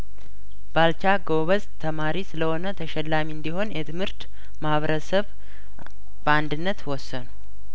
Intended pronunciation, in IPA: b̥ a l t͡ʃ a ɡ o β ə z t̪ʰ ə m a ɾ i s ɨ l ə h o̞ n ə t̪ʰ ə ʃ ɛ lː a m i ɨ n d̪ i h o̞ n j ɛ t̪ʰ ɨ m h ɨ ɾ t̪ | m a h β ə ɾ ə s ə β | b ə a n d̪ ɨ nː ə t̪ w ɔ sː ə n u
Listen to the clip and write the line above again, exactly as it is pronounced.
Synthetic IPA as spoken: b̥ a l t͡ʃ a ɡ o β ə z t̪ʰ ə m a ɾ i s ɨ l ə h o̞ n ə t̪ʰ ə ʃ ɛ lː a m i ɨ n d̪ i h o̞ n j ɛ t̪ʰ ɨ m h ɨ ɾ t̪ | m a h β ə ɾ ə s ə β | b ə a n d̪ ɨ nː ə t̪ w ɔ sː ə n u